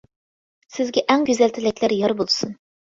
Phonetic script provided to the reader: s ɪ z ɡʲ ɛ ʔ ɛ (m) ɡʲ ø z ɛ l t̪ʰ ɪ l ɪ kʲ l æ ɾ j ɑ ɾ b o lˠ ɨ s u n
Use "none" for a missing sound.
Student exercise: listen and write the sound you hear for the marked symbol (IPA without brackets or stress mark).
ŋ